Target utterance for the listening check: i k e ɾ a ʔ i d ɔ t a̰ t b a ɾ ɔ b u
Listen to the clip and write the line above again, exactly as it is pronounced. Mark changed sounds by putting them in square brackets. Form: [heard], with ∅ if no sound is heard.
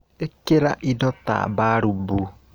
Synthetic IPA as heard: [e] k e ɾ a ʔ i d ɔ t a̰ [∅] b a ɾ [u] b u